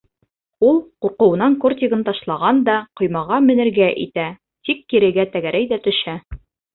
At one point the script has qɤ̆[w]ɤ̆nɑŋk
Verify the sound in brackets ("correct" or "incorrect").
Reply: correct